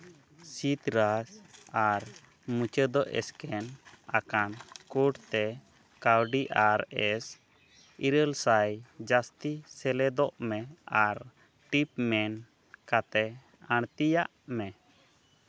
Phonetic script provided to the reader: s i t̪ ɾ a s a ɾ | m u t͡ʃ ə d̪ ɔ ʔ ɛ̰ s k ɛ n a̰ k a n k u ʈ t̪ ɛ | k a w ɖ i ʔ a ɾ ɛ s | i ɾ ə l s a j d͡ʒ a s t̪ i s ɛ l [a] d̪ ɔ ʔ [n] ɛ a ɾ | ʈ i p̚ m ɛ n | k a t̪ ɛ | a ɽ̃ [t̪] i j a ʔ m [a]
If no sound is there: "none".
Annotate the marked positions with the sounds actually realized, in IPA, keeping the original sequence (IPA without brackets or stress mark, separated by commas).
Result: ɛ, m, t̪, ɛ